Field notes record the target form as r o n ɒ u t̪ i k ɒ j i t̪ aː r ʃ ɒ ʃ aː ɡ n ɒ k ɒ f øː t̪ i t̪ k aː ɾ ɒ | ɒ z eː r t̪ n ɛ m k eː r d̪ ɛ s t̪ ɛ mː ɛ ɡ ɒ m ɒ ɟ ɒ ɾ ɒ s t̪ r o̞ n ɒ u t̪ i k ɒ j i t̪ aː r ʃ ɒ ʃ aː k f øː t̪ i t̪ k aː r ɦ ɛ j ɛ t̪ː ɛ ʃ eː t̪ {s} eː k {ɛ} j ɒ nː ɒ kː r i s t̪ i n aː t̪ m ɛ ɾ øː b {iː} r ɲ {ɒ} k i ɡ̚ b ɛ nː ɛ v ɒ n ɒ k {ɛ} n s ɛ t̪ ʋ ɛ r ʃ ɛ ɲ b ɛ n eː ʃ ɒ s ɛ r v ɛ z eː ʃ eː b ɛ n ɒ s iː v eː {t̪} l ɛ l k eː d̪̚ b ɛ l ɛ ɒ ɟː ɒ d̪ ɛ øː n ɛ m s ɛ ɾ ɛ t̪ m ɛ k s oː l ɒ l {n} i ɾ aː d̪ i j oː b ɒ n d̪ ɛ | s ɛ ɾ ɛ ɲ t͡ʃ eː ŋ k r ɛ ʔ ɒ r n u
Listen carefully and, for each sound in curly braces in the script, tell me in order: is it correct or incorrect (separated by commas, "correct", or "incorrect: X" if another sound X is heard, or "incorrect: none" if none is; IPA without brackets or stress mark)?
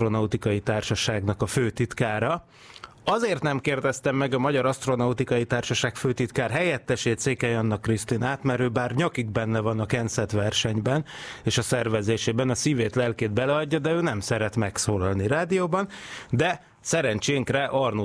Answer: correct, correct, incorrect: aː, correct, correct, correct, correct